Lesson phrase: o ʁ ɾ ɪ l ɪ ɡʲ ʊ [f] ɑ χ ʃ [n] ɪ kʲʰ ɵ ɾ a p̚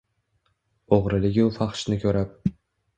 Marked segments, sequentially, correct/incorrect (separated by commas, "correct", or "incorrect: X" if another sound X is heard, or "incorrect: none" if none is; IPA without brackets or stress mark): correct, correct